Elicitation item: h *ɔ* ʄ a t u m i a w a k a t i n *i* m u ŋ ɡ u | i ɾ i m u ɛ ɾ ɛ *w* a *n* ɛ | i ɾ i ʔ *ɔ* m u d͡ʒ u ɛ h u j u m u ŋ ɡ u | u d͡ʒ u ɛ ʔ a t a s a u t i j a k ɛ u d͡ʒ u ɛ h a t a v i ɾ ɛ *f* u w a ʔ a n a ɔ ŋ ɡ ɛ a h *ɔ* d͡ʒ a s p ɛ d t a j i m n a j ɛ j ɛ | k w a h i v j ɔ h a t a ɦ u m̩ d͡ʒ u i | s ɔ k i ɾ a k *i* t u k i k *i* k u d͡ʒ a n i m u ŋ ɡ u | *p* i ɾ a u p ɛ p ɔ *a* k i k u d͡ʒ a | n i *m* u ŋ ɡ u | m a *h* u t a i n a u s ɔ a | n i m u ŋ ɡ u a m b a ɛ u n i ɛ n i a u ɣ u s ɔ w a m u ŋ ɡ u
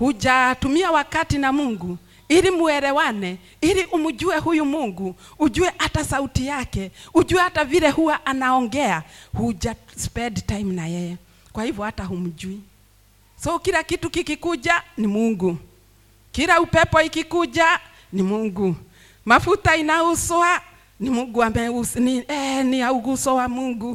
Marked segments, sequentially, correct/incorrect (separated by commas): incorrect, incorrect, correct, correct, incorrect, incorrect, incorrect, correct, correct, incorrect, incorrect, correct, incorrect